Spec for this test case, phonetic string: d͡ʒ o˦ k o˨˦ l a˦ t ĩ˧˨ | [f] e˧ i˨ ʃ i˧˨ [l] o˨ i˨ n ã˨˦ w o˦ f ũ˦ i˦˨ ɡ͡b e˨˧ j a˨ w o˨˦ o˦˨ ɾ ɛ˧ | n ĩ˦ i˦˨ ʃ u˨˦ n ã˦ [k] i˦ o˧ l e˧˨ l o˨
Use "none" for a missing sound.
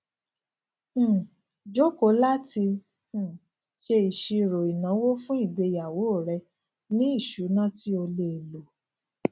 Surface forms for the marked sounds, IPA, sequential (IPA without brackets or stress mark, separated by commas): ʃ, ɾ, t